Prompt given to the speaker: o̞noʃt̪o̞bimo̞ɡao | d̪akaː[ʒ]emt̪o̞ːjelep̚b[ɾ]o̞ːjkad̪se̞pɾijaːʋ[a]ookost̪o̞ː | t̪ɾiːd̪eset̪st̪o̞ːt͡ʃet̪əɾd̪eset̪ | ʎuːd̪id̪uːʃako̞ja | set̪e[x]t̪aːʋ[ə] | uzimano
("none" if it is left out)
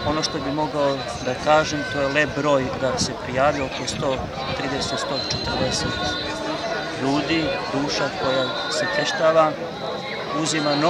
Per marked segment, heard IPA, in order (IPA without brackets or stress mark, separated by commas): ʒ, ɾ, i, ʃ, a